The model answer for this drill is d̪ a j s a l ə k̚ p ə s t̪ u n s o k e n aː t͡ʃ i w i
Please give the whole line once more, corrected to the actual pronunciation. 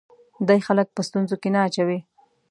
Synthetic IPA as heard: d̪ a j x a l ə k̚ p ə s t̪ u n z o k e n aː t͡ʃ a w i